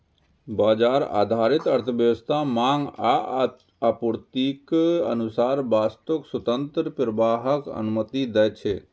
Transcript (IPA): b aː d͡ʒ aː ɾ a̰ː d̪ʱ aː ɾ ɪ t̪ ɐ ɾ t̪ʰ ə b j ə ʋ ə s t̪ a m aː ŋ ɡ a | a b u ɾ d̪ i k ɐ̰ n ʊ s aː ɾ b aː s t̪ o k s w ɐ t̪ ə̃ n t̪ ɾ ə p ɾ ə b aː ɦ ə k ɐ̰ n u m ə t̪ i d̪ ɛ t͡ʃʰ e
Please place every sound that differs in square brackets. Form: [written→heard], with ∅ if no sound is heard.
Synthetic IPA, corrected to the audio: b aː d͡ʒ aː ɾ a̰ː d̪ʱ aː ɾ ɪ t̪ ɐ ɾ t̪ʰ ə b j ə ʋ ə s [t̪→t̪ʰ] a m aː ŋ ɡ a | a [b→p] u ɾ [d̪→t̪] i k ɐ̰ n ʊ s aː ɾ b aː s t̪ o k s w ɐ t̪ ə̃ n t̪ ɾ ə p ɾ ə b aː ɦ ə k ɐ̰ n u m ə t̪ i d̪ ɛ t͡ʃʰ e